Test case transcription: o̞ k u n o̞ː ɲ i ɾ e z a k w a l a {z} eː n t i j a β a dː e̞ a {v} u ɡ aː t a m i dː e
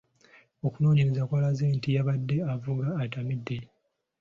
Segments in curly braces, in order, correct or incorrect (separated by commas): correct, correct